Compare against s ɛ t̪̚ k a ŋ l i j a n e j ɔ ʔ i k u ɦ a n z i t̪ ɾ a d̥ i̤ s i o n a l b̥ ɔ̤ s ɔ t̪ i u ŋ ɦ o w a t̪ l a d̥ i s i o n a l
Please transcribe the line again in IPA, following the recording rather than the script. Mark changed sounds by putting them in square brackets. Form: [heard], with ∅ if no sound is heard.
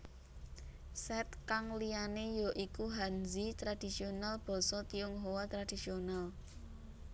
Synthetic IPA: s ɛ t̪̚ k a ŋ l i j a n e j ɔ ʔ i k u ɦ a n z i t̪ ɾ a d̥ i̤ s i o n a l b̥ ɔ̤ s ɔ t̪ i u ŋ ɦ o w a t̪ [ɾ] a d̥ i s i o n a l